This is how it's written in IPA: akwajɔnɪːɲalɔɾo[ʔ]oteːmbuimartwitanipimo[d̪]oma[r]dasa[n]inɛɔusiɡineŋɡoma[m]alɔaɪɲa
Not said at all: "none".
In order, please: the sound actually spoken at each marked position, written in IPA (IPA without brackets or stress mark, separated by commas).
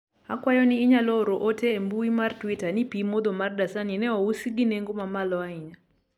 ʔ, d̪, r, n, m